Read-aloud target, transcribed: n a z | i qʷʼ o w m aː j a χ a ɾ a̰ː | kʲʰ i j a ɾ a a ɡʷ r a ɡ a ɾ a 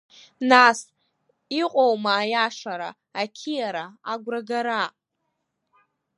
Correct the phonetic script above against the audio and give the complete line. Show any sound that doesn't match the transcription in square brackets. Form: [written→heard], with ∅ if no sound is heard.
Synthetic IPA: n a [z→s] | i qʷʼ o w m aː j a [χ→ʂ] a ɾ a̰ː | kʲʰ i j a ɾ a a ɡʷ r a ɡ a ɾ a